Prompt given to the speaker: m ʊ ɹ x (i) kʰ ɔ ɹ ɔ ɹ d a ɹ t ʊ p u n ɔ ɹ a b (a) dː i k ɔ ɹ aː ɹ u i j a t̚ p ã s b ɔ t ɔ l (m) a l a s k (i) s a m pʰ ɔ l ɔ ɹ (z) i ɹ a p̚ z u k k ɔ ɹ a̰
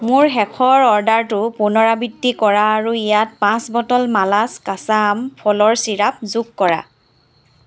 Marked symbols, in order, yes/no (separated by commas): no, no, yes, no, no